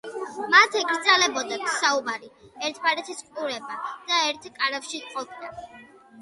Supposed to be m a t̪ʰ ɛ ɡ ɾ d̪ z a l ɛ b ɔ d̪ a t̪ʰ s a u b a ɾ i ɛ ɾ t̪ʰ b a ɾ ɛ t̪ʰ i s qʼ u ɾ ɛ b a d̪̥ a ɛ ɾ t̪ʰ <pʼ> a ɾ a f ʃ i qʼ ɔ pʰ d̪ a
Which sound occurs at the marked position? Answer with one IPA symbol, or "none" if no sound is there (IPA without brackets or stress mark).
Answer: kʼ